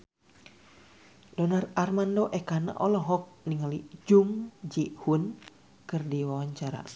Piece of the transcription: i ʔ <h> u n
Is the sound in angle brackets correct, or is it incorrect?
correct